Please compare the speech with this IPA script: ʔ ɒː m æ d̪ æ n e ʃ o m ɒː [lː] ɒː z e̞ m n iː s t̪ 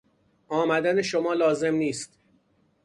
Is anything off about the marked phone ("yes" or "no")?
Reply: yes